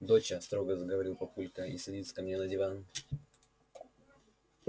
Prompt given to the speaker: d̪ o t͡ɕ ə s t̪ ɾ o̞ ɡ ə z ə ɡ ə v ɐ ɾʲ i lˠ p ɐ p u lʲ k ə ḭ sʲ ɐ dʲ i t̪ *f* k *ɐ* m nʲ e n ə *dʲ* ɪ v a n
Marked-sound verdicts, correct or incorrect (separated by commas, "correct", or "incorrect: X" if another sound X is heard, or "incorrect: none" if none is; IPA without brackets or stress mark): incorrect: s, correct, correct